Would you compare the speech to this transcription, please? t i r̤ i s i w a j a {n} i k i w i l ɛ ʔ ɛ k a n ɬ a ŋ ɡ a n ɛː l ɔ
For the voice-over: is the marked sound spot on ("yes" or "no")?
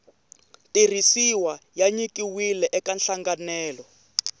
no